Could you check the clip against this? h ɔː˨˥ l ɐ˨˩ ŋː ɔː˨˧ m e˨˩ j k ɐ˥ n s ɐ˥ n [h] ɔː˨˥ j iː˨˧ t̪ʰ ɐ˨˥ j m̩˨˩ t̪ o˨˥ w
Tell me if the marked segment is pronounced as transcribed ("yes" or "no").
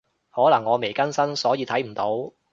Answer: no